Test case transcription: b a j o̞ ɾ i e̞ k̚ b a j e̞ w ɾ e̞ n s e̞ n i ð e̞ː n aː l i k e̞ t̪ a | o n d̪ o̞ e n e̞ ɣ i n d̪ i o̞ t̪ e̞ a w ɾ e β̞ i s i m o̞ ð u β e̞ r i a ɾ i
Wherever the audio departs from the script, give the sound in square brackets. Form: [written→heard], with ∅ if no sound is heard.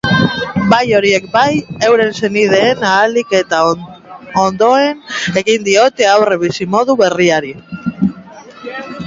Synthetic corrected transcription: b a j o̞ ɾ i e̞ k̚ b a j e̞ w ɾ e̞ n s e̞ n i ð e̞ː n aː l i k e̞ t̪ a | o n d̪ o̞ e n e̞ ɣ i n d̪ i o̞ t̪ e̞ a w [ɾ→r] e β̞ i s i m o̞ ð u β e̞ r i a ɾ i